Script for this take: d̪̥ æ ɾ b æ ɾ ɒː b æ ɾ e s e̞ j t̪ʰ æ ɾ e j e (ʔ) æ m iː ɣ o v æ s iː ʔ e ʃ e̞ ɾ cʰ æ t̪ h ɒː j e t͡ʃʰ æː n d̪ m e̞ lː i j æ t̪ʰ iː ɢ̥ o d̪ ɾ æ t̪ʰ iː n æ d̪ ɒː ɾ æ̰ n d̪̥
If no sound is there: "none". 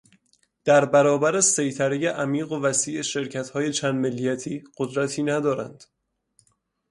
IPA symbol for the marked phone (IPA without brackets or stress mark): ʔ